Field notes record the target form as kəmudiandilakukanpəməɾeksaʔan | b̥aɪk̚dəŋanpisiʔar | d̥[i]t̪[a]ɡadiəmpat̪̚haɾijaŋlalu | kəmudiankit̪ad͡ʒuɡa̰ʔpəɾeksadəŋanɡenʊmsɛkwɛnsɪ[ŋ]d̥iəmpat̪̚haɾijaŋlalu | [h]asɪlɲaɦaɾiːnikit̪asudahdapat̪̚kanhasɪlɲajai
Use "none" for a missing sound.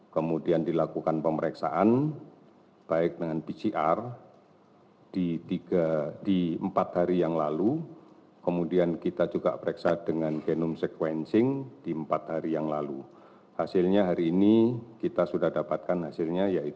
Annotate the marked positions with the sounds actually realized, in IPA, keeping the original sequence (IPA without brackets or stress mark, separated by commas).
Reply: i, i, ŋ, h